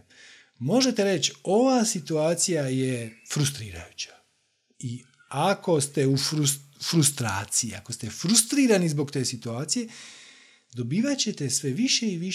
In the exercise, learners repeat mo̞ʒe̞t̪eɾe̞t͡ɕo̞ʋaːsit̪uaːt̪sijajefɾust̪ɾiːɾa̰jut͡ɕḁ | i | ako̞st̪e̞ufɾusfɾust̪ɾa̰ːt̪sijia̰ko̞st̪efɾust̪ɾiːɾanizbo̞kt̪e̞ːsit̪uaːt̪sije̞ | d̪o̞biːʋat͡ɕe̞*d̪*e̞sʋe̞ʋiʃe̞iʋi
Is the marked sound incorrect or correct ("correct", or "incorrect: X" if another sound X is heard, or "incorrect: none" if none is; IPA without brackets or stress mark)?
incorrect: t̪